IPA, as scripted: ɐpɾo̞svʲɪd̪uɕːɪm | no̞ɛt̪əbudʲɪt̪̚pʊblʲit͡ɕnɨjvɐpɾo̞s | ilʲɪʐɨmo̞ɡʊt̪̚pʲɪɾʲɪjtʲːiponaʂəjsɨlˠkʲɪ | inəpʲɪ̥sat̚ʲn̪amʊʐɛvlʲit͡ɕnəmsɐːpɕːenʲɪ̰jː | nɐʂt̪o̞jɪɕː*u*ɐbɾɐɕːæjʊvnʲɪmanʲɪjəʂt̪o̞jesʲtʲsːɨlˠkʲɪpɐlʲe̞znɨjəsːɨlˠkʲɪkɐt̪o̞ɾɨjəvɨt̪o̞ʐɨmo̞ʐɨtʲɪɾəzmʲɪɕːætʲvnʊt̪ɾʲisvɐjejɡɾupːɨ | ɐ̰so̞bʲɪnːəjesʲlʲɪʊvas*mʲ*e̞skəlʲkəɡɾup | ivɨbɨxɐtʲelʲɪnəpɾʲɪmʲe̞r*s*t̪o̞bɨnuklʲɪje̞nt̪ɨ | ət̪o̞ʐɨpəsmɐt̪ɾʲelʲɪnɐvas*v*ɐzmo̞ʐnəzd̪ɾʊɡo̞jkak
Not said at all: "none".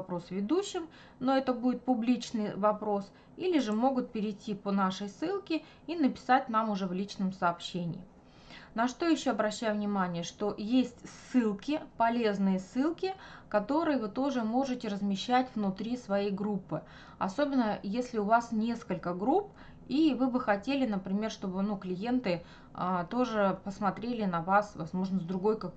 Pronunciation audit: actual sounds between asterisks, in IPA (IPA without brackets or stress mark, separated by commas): o, nʲ, ʂ, v